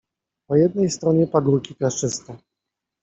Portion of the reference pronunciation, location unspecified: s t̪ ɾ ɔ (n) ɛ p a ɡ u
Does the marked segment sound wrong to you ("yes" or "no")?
yes